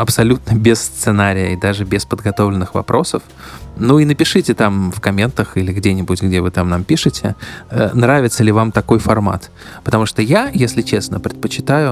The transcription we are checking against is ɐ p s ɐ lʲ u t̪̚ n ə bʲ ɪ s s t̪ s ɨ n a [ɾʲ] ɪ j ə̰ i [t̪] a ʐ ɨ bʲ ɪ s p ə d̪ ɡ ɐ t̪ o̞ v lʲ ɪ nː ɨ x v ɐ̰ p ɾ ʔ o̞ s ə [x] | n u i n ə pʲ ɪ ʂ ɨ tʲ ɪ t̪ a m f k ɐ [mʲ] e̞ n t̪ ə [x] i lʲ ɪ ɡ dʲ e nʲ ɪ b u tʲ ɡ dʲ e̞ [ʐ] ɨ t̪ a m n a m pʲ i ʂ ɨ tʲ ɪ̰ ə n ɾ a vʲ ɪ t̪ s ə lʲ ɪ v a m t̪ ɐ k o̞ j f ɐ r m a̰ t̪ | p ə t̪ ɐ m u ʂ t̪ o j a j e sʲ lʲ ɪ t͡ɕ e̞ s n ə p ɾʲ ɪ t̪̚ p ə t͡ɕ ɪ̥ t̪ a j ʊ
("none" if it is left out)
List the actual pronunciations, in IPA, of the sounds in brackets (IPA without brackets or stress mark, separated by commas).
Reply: ɾʲ, d̪, f, mʲ, x, v